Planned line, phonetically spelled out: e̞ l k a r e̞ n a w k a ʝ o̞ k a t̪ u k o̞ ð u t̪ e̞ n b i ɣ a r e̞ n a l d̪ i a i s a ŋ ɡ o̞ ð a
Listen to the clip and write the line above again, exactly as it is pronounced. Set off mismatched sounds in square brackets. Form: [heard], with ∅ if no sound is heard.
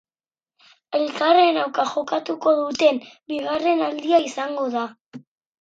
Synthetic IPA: e̞ l k a r e̞ n a w k a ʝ o̞ k a t̪ u k o̞ ð u t̪ e̞ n b i ɣ a r e̞ n a l d̪ i a i s a ŋ ɡ o̞ ð a